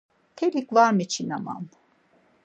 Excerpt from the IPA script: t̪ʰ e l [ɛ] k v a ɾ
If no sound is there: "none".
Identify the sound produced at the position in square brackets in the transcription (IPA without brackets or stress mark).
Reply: i